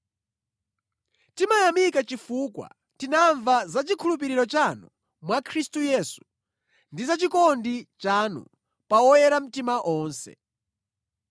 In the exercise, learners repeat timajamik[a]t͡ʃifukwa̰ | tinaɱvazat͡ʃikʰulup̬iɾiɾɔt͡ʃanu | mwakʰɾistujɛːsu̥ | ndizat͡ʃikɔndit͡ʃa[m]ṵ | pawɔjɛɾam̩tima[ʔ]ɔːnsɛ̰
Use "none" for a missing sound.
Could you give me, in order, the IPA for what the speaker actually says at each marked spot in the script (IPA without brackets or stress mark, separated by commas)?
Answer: a, n, ʔ